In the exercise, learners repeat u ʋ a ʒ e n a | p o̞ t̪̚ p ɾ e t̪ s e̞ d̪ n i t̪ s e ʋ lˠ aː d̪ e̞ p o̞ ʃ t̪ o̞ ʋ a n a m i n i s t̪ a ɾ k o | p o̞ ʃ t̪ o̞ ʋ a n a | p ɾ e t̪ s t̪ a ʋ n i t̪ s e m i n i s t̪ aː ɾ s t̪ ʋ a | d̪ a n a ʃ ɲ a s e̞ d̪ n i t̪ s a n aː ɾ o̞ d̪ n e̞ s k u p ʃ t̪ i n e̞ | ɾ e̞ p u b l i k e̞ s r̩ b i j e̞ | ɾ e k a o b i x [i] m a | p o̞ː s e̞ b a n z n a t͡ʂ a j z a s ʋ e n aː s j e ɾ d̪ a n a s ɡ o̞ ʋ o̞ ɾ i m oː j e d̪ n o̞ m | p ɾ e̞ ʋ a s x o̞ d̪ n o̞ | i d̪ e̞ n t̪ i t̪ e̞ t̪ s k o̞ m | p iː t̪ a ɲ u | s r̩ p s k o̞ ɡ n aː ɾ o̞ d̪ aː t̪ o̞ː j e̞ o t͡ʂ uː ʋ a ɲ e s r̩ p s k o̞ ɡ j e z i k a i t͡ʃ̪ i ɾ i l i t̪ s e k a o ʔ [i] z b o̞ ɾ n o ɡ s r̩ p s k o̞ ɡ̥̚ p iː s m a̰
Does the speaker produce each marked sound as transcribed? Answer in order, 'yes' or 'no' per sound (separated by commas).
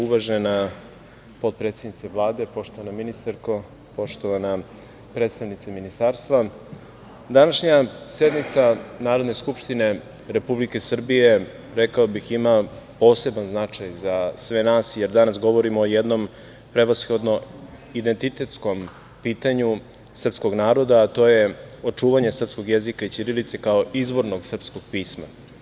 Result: yes, yes